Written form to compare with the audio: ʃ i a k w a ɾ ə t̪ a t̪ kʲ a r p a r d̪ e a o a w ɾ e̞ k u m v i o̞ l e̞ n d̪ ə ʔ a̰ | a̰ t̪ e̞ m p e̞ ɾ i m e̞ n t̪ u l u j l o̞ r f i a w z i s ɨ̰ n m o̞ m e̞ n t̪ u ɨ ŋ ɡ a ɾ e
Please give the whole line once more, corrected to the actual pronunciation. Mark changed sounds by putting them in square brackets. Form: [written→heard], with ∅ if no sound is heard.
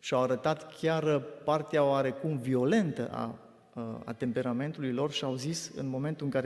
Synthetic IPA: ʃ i a [k→∅] w a ɾ ə t̪ a t̪ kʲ a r p a r [d̪→t̪] e a o a [w→∅] ɾ e̞ k u m v i o̞ l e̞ n [d̪→t̪] ə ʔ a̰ | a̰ t̪ e̞ m p e̞ ɾ [i→a] m e̞ n t̪ u l u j l o̞ r [f→ʃ] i a w z i s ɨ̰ n m o̞ m e̞ n t̪ u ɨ ŋ [ɡ→k] a ɾ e